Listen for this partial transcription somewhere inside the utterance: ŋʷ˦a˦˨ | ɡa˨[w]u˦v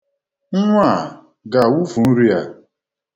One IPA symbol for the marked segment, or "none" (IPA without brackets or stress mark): w